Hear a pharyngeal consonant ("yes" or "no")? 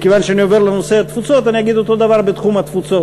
no